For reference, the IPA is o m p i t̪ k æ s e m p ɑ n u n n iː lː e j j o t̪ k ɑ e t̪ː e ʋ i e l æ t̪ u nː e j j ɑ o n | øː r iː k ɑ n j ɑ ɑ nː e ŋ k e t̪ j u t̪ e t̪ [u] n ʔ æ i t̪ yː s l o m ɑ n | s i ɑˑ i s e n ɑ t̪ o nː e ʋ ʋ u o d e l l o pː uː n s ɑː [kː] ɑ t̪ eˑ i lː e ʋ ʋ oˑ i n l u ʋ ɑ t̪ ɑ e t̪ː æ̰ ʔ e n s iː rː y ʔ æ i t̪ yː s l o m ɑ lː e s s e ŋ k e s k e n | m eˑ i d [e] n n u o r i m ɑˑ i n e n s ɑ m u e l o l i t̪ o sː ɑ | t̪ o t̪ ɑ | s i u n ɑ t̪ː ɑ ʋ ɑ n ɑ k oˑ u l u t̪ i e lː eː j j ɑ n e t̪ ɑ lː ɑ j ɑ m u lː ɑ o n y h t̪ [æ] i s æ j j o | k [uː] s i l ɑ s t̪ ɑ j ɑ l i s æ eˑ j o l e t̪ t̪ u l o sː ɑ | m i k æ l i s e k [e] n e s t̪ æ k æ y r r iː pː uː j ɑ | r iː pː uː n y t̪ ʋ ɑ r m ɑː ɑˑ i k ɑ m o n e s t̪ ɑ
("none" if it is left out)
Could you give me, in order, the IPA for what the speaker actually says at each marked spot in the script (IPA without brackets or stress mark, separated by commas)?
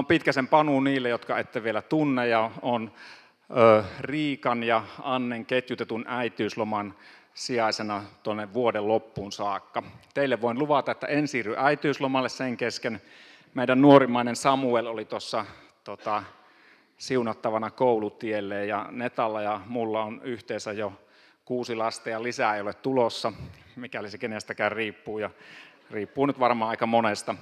u, kː, æ, e, uː, e